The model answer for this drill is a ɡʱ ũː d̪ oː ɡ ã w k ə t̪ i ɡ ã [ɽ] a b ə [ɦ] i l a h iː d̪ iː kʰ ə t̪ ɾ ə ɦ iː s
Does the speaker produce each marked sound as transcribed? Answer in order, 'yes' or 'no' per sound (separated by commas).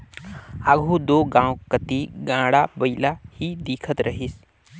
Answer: yes, no